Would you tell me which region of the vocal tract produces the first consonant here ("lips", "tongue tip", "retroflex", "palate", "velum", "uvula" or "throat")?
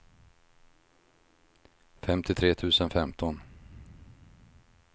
lips